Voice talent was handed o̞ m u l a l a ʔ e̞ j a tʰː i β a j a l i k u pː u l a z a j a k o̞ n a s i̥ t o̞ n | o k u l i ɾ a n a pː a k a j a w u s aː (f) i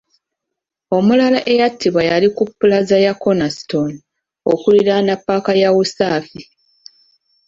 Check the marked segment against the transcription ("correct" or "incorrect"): correct